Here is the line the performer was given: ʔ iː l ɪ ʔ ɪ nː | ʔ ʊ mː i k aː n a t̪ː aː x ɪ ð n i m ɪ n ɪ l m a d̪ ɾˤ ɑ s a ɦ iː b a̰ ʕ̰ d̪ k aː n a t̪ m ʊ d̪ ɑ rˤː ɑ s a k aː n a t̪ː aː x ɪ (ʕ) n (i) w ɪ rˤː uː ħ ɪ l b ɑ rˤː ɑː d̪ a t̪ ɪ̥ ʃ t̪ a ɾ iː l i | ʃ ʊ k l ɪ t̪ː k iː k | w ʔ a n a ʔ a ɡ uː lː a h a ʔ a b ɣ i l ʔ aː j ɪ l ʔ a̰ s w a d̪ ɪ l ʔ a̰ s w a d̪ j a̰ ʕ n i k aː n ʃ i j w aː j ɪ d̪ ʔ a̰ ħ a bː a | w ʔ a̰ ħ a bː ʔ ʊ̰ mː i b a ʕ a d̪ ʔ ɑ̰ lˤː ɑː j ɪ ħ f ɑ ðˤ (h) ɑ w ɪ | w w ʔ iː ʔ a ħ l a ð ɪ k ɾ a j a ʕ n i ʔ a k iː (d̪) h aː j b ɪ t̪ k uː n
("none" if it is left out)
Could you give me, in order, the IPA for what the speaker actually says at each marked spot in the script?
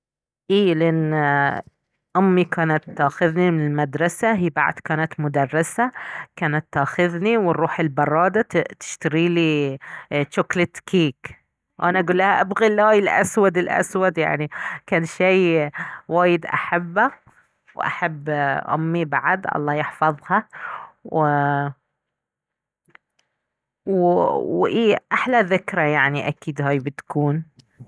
ð, i, h, d̪

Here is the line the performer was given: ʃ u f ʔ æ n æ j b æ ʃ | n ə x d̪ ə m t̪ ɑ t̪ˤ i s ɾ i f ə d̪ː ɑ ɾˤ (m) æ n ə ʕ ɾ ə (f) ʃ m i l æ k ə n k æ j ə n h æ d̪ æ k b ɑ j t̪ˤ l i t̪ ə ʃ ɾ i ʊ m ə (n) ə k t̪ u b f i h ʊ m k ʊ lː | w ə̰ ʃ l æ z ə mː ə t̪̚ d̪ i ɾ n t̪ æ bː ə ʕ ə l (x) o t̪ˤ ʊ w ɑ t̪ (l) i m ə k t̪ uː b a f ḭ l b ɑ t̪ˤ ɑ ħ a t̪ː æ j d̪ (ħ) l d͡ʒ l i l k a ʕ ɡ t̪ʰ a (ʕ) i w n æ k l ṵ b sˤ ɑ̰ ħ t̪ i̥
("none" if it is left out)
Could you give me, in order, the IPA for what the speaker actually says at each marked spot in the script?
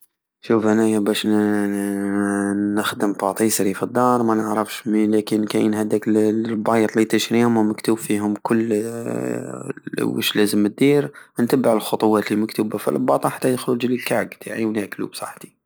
m, f, m, x, l, x, ʕ

